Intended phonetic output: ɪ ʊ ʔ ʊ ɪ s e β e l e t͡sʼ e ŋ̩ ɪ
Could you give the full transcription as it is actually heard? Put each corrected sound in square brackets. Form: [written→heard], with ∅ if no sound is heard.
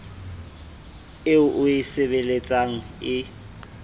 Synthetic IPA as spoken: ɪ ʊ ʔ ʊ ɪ s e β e l e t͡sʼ [e→a] ŋ̩ ɪ